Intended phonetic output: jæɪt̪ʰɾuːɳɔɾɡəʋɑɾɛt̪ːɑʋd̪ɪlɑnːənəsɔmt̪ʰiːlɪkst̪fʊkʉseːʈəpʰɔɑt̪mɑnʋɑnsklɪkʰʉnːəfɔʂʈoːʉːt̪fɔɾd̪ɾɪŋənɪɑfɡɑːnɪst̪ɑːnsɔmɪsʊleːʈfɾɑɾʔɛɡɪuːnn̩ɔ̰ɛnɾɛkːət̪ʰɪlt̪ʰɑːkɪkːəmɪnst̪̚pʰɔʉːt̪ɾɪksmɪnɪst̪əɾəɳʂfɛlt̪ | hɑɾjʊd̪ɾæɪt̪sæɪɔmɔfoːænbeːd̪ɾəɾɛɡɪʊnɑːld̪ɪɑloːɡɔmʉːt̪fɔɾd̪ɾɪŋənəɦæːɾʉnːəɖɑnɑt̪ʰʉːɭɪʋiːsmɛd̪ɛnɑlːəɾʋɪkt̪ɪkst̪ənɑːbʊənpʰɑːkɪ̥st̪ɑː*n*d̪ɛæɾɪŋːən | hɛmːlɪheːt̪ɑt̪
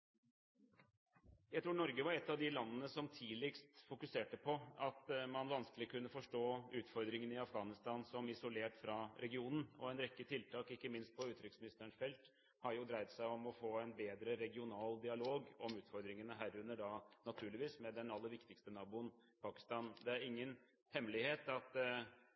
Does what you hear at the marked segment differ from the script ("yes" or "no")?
no